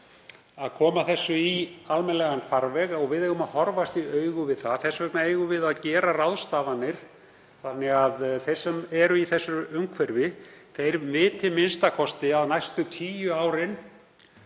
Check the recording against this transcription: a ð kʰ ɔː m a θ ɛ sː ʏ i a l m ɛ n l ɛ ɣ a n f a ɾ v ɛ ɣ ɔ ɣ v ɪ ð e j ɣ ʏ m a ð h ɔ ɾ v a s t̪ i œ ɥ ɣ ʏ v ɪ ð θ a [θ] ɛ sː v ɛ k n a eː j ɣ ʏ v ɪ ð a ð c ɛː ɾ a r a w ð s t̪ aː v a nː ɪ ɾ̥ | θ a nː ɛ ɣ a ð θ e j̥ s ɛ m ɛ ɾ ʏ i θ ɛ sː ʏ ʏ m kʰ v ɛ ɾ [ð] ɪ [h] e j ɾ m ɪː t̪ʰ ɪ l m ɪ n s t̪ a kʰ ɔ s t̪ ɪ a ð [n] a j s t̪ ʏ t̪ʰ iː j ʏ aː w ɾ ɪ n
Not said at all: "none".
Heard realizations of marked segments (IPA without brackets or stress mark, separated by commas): θ, v, θ, n